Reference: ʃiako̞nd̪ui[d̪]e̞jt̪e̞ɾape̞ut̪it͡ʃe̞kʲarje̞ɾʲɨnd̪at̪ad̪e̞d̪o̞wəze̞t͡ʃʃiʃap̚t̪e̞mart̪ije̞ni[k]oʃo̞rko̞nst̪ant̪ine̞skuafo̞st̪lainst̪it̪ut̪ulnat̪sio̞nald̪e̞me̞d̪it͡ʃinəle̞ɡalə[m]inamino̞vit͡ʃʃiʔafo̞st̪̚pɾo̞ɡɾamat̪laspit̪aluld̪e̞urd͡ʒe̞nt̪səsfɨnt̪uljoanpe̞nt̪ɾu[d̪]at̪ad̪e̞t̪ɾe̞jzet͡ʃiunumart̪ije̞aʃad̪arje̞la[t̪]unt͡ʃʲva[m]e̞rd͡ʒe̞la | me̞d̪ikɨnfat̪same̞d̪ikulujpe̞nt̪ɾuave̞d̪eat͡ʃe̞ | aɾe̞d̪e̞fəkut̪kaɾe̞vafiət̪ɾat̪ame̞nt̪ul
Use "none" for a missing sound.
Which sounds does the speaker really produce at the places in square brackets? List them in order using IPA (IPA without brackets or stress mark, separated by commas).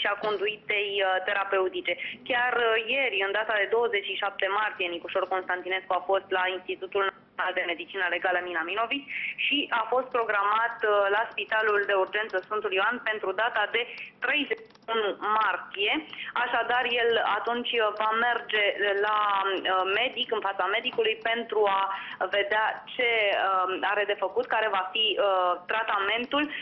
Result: t̪, k, m, d̪, t̪, m